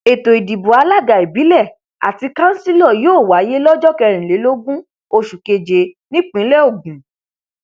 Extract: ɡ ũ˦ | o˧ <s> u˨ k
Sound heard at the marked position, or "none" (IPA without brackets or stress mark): ʃ